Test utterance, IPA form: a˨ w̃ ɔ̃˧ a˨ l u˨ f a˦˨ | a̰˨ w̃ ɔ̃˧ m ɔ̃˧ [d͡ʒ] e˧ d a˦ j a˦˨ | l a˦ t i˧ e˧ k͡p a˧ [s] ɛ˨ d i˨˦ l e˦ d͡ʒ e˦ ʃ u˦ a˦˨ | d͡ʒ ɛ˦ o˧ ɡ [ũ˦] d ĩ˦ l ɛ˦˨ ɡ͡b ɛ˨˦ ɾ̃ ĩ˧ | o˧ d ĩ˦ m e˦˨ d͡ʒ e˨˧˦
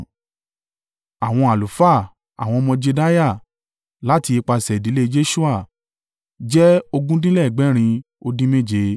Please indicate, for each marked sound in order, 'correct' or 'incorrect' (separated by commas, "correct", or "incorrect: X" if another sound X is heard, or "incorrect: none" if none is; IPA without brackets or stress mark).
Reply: correct, correct, correct